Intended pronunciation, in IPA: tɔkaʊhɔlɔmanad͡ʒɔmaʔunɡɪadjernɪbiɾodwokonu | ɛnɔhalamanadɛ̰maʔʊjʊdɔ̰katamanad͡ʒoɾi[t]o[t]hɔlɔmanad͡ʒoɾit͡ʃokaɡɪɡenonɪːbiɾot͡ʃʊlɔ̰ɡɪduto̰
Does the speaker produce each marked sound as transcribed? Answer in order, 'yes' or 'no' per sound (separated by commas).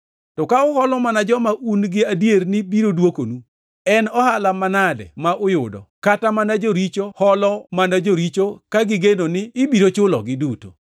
no, no